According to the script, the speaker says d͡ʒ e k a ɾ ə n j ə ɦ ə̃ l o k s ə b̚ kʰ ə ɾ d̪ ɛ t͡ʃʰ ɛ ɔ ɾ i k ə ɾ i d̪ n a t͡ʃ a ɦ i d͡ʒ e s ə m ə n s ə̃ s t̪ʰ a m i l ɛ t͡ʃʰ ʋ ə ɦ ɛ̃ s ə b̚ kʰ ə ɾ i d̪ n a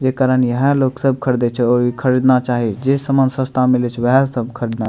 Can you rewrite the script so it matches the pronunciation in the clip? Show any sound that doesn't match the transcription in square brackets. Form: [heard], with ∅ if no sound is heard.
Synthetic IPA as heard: d͡ʒ e k a ɾ ə n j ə ɦ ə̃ l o k s ə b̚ kʰ ə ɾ d̪ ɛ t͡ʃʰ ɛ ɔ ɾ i [kʰ] ə ɾ i d̪ n a t͡ʃ a ɦ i d͡ʒ e s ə m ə n s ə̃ s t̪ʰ a m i l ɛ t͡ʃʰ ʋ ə ɦ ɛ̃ s ə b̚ kʰ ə ɾ i d̪ n a